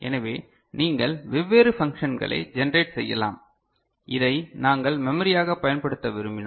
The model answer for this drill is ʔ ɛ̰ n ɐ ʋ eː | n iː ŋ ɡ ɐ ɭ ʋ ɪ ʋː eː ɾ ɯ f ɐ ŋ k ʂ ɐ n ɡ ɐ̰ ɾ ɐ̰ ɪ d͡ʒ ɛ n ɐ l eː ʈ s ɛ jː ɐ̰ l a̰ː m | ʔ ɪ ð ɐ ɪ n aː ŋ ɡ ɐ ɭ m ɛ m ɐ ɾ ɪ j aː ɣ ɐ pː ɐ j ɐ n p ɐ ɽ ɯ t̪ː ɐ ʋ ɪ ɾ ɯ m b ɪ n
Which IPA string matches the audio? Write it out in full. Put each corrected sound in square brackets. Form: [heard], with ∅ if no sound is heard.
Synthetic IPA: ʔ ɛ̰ n ɐ ʋ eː | n iː ŋ ɡ ɐ ɭ ʋ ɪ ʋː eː ɾ ɯ f ɐ ŋ k ʂ ɐ n ɡ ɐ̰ [ɭ] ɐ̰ ɪ d͡ʒ ɛ n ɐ [ɾ] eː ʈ s ɛ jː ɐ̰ l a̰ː m | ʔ ɪ ð ɐ ɪ n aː ŋ ɡ ɐ ɭ m ɛ m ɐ ɾ ɪ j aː ɣ ɐ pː ɐ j ɐ n p ɐ ɽ ɯ t̪ː ɐ ʋ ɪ ɾ ɯ m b ɪ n